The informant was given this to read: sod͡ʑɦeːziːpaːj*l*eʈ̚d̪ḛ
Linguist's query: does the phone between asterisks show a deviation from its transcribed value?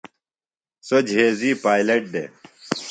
no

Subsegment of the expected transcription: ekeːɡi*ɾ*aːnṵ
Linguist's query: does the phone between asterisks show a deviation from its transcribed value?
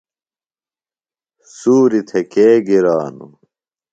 no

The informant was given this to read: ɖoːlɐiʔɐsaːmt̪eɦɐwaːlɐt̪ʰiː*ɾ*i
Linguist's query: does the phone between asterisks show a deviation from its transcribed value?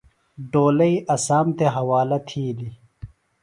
yes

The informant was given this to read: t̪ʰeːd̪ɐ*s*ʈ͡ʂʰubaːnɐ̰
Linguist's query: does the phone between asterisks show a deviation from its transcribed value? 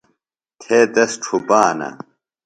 no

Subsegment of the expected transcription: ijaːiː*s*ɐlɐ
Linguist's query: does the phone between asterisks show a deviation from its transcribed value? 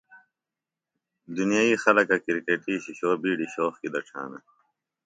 yes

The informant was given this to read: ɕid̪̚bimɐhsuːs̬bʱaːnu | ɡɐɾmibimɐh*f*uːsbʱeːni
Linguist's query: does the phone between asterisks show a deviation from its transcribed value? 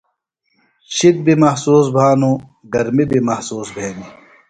yes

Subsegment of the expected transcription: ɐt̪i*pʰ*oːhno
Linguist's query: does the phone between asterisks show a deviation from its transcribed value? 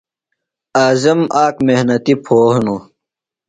no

